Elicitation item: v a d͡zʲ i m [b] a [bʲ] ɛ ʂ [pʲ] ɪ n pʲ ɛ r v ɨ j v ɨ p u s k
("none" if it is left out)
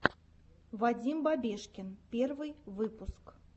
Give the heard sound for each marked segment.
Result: b, bʲ, kʲ

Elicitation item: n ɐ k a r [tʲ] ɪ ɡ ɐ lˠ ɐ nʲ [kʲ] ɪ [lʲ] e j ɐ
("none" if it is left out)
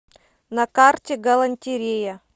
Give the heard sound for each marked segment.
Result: tʲ, tʲ, ɾʲ

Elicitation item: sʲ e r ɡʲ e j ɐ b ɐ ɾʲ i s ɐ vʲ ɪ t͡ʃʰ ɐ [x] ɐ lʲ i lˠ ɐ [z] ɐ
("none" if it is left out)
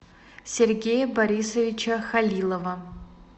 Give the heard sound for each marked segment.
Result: x, v

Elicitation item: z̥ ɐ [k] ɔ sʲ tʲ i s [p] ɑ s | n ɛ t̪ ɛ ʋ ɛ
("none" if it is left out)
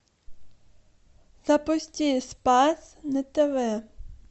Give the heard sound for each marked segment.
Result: p, p

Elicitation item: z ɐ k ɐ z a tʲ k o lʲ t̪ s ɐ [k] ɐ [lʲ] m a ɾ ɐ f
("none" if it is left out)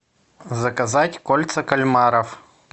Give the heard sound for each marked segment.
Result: k, lʲ

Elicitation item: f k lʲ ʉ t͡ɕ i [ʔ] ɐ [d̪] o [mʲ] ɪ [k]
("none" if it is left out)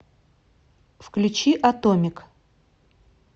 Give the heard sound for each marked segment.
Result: ʔ, t̪, mʲ, k

